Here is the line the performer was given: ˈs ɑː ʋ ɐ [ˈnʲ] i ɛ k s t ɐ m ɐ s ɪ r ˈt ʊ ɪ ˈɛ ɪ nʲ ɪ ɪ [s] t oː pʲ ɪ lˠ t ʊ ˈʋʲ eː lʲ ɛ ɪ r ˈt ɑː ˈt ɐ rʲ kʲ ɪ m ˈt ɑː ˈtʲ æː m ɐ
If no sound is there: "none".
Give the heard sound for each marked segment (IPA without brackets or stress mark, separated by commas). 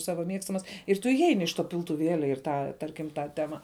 mʲ, ʃ